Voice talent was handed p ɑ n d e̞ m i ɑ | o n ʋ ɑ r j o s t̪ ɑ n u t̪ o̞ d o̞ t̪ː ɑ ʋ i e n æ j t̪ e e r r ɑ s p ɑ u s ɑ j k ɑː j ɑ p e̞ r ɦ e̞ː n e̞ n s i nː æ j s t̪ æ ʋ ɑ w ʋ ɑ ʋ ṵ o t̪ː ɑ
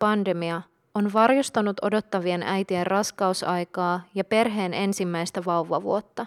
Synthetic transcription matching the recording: p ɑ n d e̞ m i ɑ | o n ʋ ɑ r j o s t̪ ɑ n u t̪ o̞ d o̞ t̪ː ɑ ʋ i e n æ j t̪ i e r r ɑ s k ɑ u s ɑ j k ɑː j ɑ p e̞ r ɦ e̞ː n e̞ n s i mː æ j s t̪ æ ʋ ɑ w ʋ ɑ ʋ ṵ o t̪ː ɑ